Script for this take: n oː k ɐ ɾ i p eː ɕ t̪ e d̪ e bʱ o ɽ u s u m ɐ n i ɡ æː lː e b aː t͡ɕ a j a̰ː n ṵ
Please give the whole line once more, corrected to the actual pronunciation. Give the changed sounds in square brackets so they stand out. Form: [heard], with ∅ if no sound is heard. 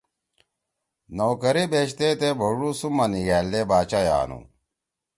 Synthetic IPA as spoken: n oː k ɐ ɾ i [b] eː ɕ t̪ e [t̪] e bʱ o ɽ u s u m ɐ n i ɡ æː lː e b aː t͡ɕ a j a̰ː n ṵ